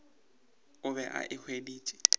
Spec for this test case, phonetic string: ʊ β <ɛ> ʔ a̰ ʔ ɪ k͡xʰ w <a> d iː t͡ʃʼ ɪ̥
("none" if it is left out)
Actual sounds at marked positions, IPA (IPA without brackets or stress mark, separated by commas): ɛ, e